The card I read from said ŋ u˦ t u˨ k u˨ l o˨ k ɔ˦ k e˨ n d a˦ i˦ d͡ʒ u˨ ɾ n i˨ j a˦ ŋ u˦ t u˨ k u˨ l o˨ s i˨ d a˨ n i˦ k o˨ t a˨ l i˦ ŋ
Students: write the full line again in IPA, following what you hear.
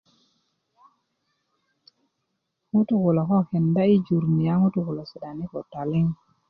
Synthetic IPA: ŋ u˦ t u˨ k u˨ l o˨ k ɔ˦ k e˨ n d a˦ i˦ d͡ʒ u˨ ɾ n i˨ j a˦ ŋ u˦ t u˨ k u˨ l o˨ s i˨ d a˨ n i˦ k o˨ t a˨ l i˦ ŋ